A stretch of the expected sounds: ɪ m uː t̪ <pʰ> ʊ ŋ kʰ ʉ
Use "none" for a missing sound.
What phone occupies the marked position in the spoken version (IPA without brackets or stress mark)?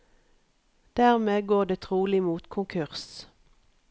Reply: kʰ